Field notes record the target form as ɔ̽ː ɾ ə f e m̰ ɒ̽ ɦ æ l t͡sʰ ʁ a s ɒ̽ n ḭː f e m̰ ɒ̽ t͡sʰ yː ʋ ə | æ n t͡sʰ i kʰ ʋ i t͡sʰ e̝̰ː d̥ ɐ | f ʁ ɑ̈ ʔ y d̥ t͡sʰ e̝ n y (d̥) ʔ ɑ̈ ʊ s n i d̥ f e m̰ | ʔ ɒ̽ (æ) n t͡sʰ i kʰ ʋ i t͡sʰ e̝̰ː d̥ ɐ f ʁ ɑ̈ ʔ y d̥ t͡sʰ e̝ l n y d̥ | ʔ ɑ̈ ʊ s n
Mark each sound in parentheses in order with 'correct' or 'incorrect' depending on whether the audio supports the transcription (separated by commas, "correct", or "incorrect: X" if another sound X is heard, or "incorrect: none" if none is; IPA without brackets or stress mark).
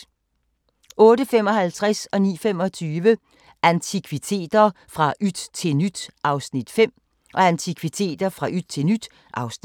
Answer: correct, correct